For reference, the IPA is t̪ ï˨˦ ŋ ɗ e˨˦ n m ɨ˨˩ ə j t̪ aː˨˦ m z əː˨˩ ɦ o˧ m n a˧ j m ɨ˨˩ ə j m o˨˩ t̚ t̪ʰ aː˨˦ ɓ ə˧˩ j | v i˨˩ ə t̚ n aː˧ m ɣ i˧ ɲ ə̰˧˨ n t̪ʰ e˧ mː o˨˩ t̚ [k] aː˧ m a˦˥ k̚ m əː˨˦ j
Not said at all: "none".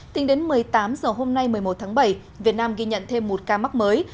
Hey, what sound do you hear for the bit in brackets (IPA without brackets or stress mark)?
k